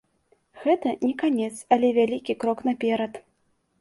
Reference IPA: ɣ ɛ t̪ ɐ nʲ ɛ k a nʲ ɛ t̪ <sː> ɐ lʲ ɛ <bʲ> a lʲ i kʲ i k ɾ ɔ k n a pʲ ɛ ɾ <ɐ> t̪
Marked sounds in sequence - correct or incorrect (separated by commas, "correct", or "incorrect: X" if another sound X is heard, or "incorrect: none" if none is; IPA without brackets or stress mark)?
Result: incorrect: s, incorrect: vʲ, correct